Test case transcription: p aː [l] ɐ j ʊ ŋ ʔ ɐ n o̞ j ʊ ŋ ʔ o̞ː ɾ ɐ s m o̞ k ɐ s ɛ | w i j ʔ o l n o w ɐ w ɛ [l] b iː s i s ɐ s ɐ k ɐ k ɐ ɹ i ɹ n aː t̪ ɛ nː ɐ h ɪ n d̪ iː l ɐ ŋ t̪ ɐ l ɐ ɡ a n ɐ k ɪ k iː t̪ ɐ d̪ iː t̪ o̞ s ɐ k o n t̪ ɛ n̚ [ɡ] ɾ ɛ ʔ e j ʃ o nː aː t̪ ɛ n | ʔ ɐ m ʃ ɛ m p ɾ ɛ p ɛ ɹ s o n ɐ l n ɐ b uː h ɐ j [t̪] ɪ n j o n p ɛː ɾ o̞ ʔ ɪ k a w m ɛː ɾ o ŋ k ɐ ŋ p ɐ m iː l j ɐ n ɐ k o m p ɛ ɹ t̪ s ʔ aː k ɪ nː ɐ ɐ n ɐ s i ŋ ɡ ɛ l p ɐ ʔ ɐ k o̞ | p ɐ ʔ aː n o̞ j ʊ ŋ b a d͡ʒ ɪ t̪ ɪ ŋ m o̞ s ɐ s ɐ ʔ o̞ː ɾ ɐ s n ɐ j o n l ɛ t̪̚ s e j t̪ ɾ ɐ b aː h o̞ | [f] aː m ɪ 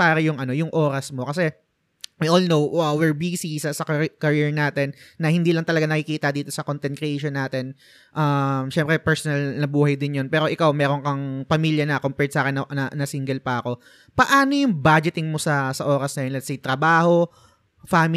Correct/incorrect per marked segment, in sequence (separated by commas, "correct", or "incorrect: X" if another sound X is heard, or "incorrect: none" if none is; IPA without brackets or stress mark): incorrect: ɾ, incorrect: ɹ, incorrect: k, incorrect: d̪, correct